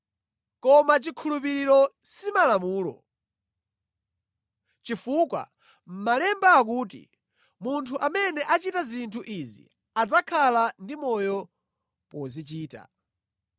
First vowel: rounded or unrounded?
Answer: rounded